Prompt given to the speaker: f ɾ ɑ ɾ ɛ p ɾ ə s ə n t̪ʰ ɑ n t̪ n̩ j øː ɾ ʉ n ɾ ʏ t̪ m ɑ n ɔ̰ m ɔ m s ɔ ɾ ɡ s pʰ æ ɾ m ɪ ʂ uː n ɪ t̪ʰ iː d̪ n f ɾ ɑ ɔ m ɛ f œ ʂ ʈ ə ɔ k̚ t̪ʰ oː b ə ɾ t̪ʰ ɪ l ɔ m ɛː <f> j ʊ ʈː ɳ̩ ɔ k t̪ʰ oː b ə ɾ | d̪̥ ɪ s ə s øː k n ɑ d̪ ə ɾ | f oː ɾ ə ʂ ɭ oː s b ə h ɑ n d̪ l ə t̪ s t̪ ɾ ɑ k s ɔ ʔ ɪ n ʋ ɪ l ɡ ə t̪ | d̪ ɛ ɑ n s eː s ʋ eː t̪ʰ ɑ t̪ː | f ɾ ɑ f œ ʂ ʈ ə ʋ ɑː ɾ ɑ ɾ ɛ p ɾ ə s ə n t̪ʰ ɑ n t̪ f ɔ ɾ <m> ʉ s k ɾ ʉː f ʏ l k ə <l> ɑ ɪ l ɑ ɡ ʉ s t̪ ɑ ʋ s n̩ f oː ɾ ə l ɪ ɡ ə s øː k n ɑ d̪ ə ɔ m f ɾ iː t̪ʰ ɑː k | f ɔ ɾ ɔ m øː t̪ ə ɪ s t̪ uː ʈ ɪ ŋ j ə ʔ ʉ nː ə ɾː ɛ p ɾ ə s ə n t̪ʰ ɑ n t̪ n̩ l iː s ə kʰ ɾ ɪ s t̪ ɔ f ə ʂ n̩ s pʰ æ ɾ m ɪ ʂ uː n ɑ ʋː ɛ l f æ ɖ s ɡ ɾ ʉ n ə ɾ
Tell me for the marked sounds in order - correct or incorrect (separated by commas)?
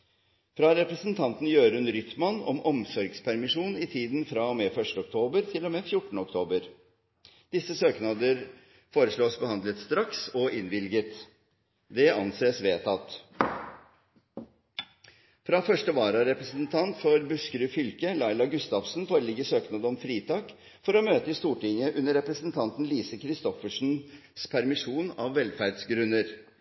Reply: correct, incorrect, correct